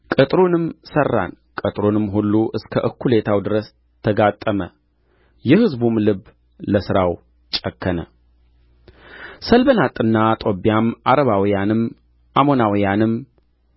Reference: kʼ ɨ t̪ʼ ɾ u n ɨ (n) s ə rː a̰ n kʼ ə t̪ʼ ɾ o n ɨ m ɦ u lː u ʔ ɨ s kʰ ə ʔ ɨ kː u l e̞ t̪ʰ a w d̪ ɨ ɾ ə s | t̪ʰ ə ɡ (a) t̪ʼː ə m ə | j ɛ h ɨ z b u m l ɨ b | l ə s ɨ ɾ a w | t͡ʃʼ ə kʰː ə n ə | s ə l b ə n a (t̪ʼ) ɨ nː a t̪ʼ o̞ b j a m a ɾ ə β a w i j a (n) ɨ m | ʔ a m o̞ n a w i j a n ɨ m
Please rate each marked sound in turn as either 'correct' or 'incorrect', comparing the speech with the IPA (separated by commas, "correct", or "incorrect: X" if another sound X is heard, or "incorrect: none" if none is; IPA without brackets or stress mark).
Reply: incorrect: m, correct, correct, correct